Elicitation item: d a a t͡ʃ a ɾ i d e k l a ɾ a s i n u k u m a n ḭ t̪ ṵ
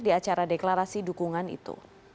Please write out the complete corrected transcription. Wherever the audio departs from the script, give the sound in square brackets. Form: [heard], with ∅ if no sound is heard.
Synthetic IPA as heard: d [i] a t͡ʃ a ɾ [a] d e k l a ɾ a s i [d] u k u [ŋ] a n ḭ t̪ ṵ